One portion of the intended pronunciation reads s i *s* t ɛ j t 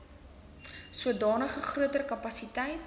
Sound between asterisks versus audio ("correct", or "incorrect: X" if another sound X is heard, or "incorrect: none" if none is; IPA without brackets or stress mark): incorrect: none